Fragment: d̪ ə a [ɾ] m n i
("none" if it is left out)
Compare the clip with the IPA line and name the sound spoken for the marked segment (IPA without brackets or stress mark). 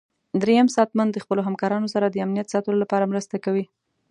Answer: none